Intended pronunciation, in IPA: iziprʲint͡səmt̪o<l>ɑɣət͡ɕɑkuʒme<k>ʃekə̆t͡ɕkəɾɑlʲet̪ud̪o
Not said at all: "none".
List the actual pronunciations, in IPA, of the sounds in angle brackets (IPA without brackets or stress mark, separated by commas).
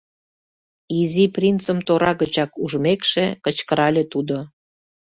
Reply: ɾ, k